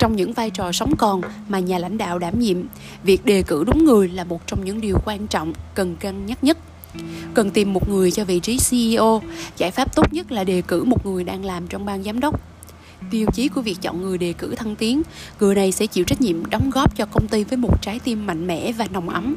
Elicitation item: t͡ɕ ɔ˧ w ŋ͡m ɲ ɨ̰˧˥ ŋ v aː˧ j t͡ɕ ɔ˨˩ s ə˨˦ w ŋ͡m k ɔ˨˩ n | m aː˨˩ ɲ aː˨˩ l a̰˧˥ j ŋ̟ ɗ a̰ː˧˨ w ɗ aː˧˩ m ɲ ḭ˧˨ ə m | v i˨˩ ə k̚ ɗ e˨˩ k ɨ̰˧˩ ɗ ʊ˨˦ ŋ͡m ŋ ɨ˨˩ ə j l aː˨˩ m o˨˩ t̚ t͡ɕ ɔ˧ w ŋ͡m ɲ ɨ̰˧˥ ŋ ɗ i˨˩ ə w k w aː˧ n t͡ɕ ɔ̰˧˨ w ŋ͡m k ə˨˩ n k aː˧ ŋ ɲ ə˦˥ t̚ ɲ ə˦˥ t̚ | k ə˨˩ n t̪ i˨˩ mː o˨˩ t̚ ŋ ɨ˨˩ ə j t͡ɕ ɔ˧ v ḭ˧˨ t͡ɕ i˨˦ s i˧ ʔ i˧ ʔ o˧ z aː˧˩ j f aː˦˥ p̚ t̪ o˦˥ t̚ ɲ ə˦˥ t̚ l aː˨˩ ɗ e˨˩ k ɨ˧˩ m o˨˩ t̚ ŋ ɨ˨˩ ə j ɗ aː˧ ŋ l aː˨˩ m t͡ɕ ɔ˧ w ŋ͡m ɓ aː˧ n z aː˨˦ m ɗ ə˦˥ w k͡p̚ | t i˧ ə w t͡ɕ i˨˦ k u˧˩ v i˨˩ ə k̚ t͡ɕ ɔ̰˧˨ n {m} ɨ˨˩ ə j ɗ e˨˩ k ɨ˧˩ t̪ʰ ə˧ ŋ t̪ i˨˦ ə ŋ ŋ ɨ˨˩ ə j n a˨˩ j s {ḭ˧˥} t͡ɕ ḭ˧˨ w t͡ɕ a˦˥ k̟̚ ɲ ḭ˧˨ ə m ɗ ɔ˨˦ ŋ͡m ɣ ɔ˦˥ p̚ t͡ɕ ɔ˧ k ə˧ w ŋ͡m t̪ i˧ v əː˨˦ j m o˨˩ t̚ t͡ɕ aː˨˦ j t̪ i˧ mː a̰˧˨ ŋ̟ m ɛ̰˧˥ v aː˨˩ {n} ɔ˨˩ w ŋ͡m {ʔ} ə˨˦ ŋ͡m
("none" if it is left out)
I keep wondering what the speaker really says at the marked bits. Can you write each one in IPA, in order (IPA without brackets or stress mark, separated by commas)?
ŋ, ɛ̰˧˥, n, ʔ